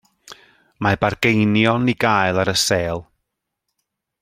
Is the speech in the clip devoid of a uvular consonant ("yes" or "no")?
yes